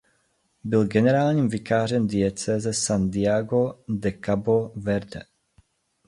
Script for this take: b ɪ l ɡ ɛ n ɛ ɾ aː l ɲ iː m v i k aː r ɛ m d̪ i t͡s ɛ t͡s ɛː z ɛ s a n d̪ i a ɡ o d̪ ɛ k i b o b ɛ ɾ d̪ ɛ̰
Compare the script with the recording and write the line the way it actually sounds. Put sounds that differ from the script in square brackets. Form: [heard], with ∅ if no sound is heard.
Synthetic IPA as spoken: b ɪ l ɡ ɛ n ɛ ɾ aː l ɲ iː m v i k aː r ɛ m d̪ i [∅] ɛ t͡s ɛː z ɛ s a n d̪ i a ɡ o d̪ ɛ k [a] b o [v] ɛ ɾ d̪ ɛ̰